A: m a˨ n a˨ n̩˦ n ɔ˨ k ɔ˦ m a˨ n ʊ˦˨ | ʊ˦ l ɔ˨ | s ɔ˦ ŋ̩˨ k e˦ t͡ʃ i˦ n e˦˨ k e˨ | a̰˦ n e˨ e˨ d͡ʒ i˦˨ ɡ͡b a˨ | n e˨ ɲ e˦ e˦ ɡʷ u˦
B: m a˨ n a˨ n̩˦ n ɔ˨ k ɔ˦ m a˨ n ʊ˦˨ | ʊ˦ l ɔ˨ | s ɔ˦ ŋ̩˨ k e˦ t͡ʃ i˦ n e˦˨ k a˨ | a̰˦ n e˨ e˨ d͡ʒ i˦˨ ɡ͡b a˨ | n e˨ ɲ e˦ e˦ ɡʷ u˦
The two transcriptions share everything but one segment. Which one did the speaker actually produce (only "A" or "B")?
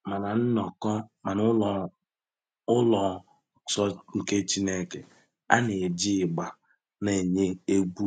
A